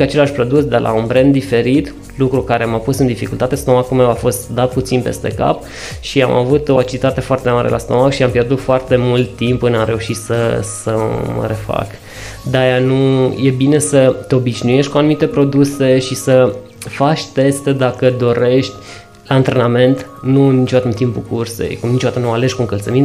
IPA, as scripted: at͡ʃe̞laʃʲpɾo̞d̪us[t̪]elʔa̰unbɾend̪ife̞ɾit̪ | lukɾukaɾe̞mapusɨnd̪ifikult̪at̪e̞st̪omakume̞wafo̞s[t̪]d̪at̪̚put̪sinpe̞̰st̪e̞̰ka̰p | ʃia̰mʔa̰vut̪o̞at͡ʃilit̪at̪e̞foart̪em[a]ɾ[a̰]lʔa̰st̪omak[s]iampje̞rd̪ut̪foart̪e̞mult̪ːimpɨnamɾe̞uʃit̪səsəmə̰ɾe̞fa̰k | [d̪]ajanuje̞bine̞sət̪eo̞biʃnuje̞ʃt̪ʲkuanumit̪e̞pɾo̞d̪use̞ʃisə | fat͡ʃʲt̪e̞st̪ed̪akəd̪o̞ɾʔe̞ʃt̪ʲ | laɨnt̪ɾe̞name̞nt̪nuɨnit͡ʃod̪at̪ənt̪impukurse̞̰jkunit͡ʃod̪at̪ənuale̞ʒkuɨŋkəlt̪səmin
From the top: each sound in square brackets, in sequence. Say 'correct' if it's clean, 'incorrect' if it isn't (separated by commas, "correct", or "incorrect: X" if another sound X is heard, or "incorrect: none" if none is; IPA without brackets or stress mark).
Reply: incorrect: d̪, correct, correct, incorrect: ḛ, incorrect: ʃ, correct